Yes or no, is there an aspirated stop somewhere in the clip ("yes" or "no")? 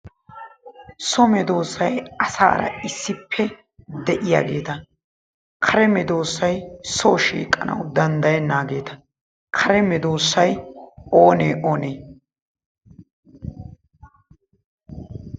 yes